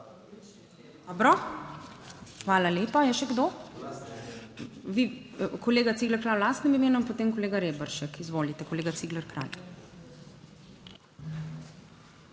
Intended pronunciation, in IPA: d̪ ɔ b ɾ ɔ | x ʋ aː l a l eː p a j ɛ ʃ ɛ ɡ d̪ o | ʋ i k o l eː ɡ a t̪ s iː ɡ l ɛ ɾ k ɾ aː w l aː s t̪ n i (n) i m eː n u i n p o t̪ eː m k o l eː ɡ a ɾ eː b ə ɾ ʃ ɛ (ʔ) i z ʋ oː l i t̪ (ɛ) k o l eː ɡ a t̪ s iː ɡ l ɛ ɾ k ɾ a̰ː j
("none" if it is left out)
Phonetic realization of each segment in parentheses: m, k, ɛ

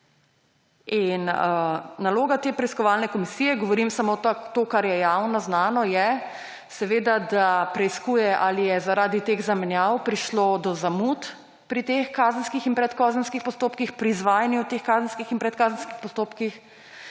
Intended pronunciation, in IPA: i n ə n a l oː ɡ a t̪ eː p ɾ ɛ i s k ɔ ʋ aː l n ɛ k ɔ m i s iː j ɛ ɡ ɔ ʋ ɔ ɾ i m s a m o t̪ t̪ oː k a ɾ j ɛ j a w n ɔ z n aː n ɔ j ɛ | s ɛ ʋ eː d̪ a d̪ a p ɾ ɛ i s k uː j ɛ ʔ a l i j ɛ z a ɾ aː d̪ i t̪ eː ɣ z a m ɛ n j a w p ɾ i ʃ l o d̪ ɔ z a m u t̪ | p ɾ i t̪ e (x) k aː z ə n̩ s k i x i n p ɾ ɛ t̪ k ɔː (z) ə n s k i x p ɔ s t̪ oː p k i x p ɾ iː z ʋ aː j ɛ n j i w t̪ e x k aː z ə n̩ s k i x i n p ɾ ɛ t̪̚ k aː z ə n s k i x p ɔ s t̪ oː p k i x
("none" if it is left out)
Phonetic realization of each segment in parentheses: x, z

